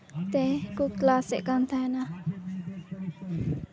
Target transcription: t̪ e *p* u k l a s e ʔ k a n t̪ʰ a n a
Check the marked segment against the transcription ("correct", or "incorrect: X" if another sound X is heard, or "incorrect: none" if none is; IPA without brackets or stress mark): incorrect: k